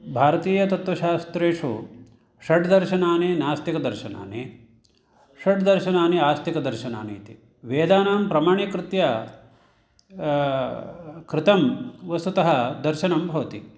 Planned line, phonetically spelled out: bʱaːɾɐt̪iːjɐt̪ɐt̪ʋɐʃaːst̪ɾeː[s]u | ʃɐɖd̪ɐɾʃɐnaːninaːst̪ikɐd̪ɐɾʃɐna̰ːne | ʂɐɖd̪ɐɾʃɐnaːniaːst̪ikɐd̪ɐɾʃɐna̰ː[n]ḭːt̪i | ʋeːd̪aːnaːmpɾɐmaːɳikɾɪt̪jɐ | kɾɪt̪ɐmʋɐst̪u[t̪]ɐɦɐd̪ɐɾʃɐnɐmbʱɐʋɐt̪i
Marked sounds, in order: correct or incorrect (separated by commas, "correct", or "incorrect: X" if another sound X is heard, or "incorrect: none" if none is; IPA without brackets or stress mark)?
incorrect: ʂ, correct, correct